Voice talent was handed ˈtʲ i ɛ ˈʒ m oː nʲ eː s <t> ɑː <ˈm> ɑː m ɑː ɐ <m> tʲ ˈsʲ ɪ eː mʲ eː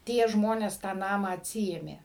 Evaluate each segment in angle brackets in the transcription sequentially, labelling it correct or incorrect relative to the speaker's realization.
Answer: correct, incorrect: n, incorrect: none

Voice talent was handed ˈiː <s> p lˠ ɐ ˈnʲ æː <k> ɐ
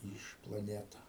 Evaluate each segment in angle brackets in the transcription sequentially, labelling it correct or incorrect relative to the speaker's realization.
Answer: incorrect: ʃ, incorrect: t

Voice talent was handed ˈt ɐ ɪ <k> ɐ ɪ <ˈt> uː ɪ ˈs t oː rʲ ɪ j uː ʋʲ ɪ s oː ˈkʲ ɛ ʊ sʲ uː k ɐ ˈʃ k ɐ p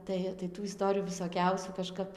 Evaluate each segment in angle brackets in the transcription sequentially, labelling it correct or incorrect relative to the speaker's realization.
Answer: incorrect: t, correct

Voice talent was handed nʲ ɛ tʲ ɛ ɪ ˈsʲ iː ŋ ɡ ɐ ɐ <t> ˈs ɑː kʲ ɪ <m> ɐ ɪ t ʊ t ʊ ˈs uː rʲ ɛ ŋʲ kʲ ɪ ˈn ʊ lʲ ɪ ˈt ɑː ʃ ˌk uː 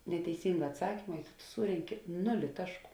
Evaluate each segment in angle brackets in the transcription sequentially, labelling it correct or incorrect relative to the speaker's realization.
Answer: correct, correct

